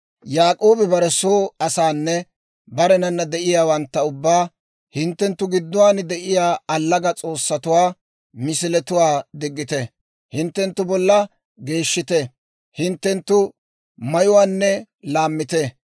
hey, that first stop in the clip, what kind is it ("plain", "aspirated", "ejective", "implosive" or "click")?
ejective